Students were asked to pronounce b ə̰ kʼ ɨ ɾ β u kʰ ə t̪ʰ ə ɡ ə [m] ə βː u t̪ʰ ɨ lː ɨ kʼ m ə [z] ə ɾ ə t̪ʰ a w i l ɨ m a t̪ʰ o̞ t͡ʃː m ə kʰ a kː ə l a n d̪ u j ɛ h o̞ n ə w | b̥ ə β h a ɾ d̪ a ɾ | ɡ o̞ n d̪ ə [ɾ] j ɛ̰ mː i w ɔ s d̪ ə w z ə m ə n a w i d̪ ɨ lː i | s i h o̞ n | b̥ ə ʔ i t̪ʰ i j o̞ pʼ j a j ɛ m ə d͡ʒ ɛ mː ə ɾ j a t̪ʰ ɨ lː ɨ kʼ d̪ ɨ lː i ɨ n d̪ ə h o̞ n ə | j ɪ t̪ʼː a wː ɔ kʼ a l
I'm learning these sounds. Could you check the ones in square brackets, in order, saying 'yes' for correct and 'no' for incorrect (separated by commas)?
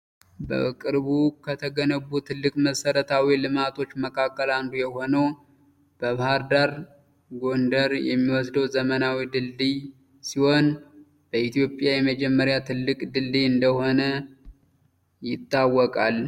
no, no, yes